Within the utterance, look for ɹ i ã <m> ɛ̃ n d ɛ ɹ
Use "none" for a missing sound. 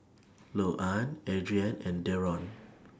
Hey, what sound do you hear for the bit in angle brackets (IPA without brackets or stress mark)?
n